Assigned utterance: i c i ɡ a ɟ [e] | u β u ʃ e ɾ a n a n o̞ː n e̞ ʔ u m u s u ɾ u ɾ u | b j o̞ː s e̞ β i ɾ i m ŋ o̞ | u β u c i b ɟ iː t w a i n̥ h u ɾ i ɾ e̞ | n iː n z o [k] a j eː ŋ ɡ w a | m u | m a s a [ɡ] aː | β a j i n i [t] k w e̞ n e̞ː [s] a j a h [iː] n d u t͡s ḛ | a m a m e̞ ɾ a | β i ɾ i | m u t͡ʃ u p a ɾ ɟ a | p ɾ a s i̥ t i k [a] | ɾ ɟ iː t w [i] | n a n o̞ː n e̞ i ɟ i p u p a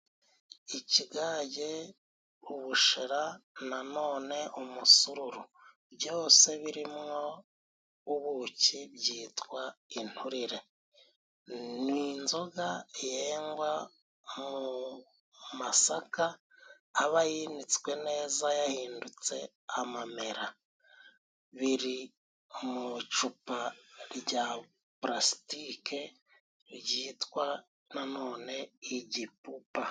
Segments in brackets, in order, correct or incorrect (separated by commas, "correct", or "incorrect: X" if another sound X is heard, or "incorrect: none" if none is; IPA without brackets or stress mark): correct, incorrect: ɡ, incorrect: k, incorrect: t͡s, incorrect: z, correct, incorrect: e, incorrect: a